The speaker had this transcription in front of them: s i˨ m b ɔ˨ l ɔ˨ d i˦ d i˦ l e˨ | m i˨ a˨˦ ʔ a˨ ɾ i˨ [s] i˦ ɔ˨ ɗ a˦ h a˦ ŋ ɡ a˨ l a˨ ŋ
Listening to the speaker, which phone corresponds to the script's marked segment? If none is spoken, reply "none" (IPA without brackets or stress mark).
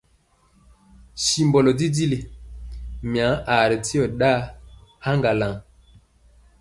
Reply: t